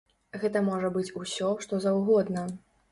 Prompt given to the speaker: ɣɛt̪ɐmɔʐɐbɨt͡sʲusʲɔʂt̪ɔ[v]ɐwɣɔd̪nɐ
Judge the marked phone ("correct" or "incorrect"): incorrect